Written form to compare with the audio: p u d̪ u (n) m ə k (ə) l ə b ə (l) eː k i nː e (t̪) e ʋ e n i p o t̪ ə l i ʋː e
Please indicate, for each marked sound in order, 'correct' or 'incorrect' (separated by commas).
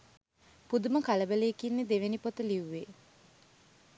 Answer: incorrect, incorrect, correct, incorrect